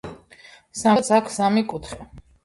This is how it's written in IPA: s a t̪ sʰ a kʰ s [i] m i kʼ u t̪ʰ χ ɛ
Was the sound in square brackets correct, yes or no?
no